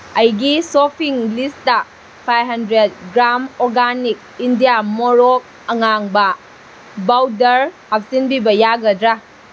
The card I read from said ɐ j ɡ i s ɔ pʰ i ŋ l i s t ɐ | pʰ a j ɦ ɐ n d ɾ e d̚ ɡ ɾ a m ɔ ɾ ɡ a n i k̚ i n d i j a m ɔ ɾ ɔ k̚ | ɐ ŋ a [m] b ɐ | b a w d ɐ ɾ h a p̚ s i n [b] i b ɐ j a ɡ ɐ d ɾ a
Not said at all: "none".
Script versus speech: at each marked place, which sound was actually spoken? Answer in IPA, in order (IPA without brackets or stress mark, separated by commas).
ŋ, b